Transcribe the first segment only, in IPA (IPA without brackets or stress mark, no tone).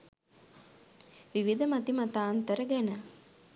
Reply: ʋ